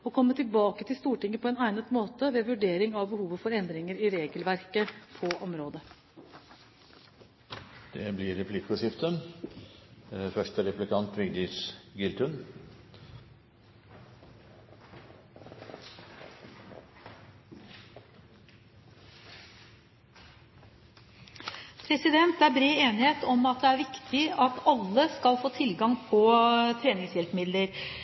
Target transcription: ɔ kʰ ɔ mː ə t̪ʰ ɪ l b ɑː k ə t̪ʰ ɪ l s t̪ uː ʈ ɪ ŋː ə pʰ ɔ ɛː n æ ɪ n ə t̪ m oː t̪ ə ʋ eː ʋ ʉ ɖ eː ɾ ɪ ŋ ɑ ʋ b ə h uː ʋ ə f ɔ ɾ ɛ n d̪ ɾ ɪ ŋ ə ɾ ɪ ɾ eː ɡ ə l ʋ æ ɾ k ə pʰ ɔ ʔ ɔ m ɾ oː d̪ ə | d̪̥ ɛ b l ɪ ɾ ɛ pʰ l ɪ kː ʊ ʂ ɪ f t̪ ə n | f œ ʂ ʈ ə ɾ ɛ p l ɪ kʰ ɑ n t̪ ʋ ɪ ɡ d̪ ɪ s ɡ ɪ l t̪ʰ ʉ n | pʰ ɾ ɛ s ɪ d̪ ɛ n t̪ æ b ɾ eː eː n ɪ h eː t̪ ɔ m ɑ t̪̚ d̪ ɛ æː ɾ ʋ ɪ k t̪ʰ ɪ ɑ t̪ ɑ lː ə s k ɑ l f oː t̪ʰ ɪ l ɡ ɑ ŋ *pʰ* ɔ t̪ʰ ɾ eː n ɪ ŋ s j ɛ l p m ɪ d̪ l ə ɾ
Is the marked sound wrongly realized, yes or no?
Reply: no